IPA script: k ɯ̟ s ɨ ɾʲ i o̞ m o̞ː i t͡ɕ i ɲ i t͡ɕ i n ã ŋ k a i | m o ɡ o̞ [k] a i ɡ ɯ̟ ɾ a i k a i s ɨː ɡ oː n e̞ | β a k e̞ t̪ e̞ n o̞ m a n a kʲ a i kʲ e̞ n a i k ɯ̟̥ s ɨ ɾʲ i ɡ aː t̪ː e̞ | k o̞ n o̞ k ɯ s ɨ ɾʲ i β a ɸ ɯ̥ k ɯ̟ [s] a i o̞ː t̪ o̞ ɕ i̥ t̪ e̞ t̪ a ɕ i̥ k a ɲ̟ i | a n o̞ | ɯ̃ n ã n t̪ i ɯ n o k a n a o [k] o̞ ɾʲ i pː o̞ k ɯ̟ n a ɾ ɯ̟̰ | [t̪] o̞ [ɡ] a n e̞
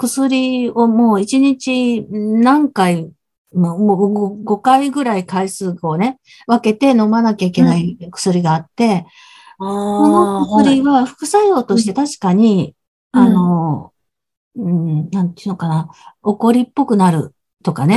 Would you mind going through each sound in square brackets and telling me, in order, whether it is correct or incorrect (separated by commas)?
correct, correct, correct, correct, incorrect